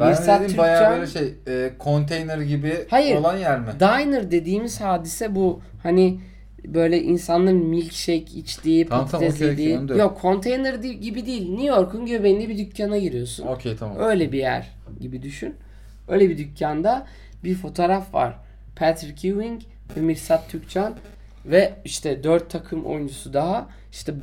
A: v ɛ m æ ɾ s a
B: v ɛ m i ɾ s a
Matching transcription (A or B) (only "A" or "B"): B